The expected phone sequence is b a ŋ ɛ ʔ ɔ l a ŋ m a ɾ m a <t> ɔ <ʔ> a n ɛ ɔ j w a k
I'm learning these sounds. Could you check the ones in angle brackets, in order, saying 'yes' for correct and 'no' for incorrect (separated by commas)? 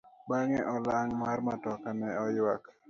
yes, no